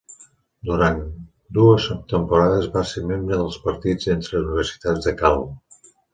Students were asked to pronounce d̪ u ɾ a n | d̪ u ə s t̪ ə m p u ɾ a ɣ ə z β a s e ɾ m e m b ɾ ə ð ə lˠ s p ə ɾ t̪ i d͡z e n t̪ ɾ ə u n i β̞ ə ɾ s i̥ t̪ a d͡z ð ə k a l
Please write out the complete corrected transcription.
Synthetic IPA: d̪ u ɾ a n | d̪ u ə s t̪ ə m p u ɾ a ð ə z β a s e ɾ m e m b ɾ ə ð ə lˠ s p ə ɾ t̪ i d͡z e n t̪ ɾ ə u n i β̞ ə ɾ s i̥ t̪ a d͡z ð ə k a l